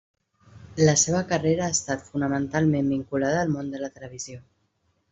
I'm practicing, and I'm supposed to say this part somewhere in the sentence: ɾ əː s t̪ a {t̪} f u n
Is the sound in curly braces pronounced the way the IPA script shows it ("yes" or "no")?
yes